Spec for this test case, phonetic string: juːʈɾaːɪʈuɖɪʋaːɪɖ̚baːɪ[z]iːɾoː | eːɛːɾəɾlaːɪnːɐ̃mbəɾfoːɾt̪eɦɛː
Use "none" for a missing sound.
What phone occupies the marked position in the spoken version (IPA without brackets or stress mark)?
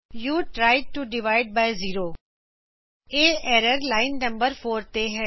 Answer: z